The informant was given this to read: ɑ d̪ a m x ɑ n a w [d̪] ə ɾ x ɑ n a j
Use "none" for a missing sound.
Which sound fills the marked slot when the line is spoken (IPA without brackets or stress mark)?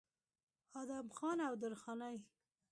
d̪